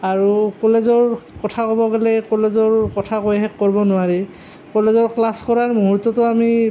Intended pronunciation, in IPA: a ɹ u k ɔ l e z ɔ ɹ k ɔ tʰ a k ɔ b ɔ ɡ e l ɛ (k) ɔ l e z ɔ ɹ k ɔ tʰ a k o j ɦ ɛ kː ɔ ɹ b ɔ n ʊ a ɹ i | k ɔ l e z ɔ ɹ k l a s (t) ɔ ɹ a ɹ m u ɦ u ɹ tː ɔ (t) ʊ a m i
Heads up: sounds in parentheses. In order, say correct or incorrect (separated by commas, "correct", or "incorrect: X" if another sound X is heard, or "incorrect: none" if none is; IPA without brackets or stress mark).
correct, incorrect: k, correct